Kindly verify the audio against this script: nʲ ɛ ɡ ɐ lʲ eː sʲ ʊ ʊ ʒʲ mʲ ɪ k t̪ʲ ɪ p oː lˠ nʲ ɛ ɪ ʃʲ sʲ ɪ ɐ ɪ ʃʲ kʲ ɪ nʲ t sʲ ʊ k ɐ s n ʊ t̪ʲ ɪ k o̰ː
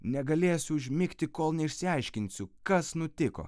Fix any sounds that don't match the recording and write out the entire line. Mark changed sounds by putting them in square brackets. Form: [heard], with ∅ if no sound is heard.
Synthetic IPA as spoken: nʲ ɛ ɡ ɐ lʲ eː sʲ ʊ ʊ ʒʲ mʲ ɪ k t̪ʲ ɪ [k] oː lˠ nʲ ɛ ɪ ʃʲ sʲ ɪ ɐ ɪ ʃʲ kʲ ɪ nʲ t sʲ ʊ k ɐ s n ʊ t̪ʲ ɪ k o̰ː